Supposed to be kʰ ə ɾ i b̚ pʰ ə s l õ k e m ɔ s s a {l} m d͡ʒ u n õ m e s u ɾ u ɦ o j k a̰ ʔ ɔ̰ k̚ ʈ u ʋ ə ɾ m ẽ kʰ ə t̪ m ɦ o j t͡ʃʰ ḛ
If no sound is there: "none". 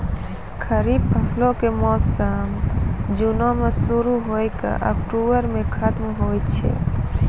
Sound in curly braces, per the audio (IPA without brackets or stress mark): none